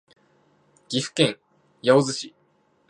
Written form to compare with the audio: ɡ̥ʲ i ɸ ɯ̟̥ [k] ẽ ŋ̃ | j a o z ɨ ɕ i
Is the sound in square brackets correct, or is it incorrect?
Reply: correct